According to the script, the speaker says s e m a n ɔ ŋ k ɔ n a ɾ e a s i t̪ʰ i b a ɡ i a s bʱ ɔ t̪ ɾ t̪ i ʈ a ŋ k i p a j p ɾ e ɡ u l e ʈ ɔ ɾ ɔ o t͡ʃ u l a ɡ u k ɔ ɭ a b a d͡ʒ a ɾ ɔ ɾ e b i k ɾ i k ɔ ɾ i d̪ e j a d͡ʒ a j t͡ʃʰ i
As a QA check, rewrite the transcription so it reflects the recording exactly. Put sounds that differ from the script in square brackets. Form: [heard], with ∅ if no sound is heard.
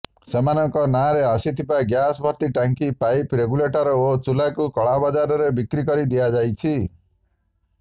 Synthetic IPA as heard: s e m a n ɔ ŋ k ɔ n a ɾ e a s i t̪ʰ i b a ɡ [j] a s bʱ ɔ [∅] ɾ t̪ i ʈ a ŋ k i p a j p ɾ e ɡ u l e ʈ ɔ ɾ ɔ o t͡ʃ u l a [k] u k ɔ ɭ a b a d͡ʒ a ɾ ɔ ɾ e b i k ɾ i k ɔ ɾ i d̪ [i] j a d͡ʒ a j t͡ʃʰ i